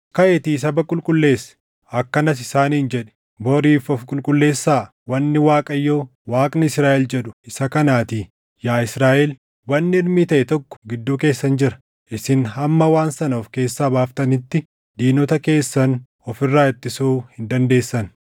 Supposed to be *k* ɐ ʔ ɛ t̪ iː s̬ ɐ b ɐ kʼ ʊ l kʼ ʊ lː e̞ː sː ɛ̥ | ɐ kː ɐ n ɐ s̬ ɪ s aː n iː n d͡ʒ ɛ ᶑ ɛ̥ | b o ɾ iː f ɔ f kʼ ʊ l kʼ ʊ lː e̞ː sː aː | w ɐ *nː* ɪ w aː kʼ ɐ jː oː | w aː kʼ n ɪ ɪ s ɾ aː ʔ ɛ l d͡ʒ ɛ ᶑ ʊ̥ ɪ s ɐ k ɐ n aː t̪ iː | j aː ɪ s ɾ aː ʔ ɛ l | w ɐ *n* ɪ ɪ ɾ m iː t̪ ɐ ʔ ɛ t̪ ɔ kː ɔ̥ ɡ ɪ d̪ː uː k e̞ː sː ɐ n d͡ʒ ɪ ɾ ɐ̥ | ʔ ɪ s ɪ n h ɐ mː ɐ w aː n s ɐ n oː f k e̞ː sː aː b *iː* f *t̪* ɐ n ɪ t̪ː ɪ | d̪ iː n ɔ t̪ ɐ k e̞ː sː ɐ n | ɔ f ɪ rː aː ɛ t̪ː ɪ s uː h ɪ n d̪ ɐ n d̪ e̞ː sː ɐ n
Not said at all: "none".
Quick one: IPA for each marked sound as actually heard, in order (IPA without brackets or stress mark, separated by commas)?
k, nː, nː, aː, t̪